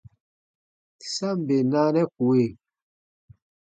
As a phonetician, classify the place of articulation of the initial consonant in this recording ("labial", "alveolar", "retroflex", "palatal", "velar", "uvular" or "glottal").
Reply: alveolar